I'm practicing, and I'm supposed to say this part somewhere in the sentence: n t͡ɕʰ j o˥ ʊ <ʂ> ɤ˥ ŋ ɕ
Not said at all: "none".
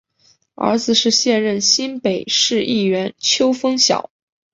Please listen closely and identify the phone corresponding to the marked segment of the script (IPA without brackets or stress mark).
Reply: f